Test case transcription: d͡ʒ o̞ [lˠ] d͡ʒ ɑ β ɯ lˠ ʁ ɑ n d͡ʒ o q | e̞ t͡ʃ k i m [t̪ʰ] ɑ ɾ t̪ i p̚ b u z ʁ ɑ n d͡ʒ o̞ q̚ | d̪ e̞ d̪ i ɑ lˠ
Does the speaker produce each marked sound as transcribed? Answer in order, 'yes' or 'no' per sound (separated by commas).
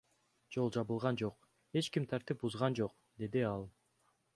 yes, yes